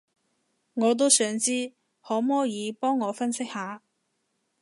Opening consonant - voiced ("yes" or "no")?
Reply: yes